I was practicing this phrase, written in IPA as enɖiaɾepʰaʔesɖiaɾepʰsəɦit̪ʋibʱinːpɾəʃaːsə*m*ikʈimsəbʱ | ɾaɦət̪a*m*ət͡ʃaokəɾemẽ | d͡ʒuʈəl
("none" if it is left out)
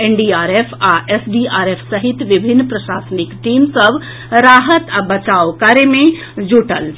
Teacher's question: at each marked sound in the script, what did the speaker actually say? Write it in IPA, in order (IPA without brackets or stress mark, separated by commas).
n, b